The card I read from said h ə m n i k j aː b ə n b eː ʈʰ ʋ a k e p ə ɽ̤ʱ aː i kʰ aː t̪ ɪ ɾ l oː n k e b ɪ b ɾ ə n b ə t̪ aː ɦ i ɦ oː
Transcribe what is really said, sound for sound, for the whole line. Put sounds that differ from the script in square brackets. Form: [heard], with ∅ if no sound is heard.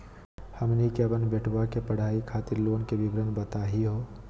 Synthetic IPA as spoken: h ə m n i k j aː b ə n b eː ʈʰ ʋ a k e p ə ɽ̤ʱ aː i kʰ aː t̪ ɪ ɾ l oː n k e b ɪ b ɾ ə n b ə t̪ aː ɦ i ɦ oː